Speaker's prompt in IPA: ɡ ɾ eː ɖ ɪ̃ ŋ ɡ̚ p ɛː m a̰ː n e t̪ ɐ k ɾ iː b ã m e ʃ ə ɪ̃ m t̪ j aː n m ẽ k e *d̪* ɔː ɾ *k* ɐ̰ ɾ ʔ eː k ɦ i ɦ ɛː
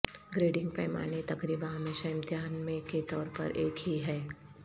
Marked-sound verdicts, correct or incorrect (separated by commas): incorrect, incorrect